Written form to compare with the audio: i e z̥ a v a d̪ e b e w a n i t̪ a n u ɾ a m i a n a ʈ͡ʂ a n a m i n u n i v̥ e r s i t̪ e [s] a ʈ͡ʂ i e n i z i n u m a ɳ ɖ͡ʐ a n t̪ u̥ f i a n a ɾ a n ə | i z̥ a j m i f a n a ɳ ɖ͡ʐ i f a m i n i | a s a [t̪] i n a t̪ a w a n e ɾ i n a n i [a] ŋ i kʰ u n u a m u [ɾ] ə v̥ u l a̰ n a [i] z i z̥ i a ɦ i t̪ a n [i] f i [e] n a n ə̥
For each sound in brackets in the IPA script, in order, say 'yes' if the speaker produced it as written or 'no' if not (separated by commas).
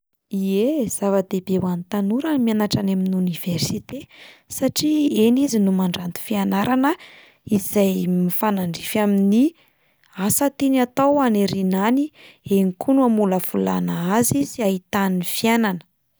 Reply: yes, yes, no, no, no, yes, no